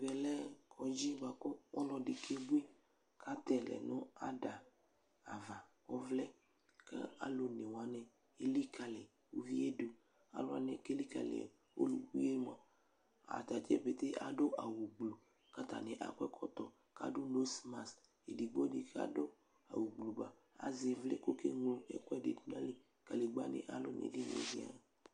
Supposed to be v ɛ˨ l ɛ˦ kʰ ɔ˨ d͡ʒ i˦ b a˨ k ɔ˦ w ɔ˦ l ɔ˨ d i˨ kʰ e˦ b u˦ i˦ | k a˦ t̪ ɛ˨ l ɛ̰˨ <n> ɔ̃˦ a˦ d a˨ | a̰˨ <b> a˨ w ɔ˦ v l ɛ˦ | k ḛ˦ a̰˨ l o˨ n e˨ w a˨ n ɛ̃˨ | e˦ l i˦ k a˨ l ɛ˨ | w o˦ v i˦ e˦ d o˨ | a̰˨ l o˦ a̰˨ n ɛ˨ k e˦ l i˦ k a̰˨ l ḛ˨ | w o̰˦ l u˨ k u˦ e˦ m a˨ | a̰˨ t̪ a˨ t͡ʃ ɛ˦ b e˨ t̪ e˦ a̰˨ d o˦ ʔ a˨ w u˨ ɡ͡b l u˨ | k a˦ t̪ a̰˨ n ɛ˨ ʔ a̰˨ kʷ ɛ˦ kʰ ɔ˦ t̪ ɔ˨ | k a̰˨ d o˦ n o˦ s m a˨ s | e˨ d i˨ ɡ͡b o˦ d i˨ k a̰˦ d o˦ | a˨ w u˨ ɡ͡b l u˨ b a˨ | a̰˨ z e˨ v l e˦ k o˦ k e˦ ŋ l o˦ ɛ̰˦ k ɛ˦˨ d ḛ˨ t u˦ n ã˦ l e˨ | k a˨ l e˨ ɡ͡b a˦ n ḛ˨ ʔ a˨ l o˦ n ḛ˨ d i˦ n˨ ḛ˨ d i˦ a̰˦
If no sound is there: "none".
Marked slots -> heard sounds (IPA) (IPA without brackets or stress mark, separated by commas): n, v